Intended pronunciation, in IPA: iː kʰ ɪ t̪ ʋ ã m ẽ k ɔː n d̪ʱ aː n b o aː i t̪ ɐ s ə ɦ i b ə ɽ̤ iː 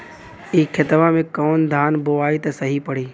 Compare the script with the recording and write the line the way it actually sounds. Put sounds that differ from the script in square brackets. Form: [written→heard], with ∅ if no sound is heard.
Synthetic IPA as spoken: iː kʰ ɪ t̪ ʋ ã m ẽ k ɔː n d̪ʱ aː n b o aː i t̪ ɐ s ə ɦ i [b→p] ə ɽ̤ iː